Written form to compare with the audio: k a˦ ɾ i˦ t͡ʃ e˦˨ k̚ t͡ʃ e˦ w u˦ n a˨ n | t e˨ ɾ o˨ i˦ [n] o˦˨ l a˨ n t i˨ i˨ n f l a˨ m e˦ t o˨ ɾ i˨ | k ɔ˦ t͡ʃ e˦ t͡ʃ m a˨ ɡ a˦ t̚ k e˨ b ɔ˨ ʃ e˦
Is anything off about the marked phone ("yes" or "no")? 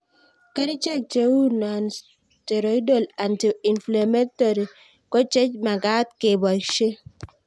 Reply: yes